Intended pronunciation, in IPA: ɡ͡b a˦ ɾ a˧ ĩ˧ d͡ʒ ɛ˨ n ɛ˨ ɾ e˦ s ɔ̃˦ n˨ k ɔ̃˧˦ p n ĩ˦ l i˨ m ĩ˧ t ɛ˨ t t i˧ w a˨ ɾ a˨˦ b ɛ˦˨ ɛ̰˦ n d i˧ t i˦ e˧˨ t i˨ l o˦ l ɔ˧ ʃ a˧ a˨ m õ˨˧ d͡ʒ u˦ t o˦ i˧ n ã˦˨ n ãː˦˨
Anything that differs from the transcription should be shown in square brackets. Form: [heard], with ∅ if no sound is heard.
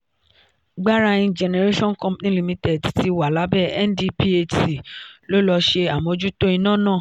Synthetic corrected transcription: ɡ͡b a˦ ɾ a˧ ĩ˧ d͡ʒ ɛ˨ n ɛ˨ ɾ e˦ [ʃ] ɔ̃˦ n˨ k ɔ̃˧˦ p n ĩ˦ l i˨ m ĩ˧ t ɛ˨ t t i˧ w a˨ [l] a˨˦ b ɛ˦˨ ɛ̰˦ n d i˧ [p] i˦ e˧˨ t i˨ l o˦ l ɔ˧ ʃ [e˧] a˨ m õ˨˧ d͡ʒ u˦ t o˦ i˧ n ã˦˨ n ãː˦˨